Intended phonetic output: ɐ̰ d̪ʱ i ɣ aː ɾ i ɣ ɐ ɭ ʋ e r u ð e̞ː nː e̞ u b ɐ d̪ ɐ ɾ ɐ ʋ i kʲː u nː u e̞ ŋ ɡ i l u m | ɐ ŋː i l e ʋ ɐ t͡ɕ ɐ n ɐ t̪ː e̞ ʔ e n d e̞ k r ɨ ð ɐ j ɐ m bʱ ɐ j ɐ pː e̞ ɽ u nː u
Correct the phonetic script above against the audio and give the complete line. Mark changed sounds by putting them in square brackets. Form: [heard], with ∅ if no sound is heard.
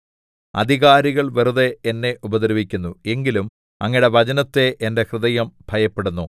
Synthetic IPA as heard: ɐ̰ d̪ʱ i ɣ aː ɾ i ɣ ɐ ɭ ʋ e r u ð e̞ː nː e̞ u b ɐ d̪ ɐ ɾ ɐ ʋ i kʲː u nː u e̞ ŋ ɡ i l u m | ɐ ŋː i [ɽ] e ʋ ɐ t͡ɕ ɐ n ɐ t̪ː e̞ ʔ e n d e̞ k r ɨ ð ɐ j ɐ m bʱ ɐ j ɐ pː e̞ ɽ u nː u